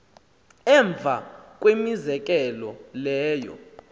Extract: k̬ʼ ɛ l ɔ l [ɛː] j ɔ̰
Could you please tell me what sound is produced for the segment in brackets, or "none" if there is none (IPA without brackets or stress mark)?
ɛː